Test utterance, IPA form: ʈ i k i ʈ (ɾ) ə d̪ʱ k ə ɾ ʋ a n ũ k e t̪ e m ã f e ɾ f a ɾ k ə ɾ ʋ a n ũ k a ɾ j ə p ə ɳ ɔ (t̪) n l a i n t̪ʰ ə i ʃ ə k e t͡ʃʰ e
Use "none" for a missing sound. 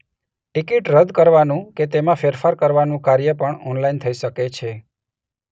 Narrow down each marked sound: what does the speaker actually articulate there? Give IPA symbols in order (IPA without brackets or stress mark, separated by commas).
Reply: ɾ, none